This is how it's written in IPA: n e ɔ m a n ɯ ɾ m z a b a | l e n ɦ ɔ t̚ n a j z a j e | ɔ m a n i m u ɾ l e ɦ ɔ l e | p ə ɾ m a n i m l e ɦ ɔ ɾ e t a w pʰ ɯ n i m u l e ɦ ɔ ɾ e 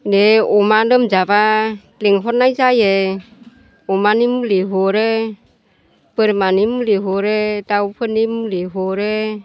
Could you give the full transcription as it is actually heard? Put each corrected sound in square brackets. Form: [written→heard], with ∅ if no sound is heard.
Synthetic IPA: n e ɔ m a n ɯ [ɾ→∅] m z a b a | l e [n→ŋ] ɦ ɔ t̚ n a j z a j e | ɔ m a n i m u [ɾ→∅] l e ɦ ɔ [l→ɾ] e | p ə ɾ m a n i m l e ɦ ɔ ɾ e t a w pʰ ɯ n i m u l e ɦ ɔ ɾ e